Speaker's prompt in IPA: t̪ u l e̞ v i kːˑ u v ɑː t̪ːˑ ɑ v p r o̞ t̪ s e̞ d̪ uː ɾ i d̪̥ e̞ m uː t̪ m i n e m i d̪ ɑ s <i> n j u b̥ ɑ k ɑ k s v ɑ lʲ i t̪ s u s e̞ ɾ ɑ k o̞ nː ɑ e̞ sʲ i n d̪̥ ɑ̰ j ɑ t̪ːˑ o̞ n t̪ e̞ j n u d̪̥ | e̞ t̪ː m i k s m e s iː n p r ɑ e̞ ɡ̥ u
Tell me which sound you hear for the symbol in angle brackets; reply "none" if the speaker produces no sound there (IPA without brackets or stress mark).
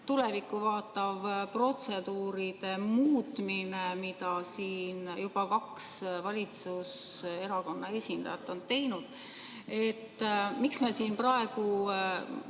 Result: iː